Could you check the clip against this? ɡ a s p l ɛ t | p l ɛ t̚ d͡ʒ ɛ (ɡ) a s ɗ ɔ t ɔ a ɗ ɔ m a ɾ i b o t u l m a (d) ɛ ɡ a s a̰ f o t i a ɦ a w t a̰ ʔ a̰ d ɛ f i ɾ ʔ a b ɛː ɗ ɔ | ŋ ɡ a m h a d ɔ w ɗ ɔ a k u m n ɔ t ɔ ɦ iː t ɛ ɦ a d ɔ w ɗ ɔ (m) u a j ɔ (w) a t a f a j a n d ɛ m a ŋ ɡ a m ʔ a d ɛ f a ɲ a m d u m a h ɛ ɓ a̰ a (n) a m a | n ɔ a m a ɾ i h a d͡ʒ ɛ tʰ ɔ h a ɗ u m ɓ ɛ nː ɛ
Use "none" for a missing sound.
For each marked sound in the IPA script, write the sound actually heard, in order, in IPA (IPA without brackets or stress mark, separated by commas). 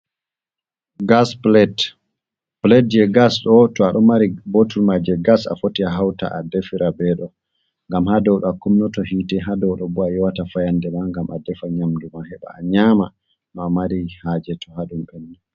ɡ, d͡ʒ, b, w, ɲ